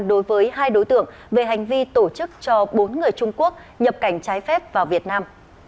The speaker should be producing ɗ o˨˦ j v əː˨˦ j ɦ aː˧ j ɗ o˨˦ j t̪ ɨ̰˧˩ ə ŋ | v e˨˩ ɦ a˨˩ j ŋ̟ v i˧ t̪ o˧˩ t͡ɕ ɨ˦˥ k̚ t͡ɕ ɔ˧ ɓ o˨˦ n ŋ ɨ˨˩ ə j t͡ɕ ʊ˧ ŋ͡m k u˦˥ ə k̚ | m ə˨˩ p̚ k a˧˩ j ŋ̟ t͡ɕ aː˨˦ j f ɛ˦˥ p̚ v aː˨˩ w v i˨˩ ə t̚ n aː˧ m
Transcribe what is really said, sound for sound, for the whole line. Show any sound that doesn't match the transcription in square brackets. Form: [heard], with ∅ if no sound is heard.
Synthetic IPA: ɗ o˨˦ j v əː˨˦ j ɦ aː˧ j ɗ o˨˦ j t̪ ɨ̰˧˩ ə ŋ | v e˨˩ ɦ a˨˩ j ŋ̟ v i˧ t̪ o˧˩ t͡ɕ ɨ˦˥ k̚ t͡ɕ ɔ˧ ɓ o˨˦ n ŋ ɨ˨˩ ə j t͡ɕ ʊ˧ ŋ͡m k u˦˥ ə k̚ | [ɲ] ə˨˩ p̚ k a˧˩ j ŋ̟ t͡ɕ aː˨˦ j f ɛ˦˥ p̚ v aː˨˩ w v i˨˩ ə t̚ n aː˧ m